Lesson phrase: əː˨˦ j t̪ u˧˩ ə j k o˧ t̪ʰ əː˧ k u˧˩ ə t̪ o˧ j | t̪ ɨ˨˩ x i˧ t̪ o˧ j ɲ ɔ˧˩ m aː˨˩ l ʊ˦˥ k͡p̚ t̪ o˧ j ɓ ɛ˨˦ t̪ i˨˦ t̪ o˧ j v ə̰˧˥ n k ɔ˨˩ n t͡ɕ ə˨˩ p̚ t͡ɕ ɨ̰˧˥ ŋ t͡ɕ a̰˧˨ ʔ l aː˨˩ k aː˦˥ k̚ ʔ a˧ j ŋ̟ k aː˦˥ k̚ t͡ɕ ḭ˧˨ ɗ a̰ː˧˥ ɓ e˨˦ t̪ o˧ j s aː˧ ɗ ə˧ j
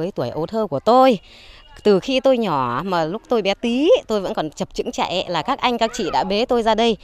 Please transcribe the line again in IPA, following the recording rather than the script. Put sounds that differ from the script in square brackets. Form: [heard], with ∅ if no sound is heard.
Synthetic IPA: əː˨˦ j t̪ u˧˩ ə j [ʔ] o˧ t̪ʰ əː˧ k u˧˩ ə t̪ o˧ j | t̪ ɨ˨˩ x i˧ t̪ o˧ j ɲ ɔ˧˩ m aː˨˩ l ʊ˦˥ k͡p̚ t̪ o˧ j ɓ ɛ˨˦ t̪ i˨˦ t̪ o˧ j v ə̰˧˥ n k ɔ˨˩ n t͡ɕ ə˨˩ p̚ t͡ɕ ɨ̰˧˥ ŋ t͡ɕ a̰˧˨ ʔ l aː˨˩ k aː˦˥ k̚ ʔ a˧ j ŋ̟ k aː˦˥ k̚ t͡ɕ ḭ˧˨ ɗ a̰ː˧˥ ɓ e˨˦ t̪ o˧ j [z] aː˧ ɗ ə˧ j